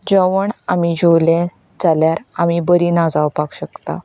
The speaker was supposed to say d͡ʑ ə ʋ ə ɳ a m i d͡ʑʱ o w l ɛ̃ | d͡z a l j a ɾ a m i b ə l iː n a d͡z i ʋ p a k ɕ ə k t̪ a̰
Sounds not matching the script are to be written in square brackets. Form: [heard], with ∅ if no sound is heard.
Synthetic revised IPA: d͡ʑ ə ʋ ə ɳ a m i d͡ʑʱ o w l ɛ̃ | d͡z a l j a ɾ a m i b ə [ɾ] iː n a d͡z [a] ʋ p a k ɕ ə k t̪ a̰